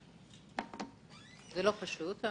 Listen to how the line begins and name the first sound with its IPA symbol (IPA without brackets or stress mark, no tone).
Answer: z